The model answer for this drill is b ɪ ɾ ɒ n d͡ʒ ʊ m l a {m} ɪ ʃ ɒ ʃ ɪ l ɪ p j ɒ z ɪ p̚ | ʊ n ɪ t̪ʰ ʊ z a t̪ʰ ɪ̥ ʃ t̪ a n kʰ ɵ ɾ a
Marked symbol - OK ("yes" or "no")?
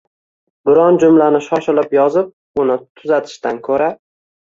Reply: no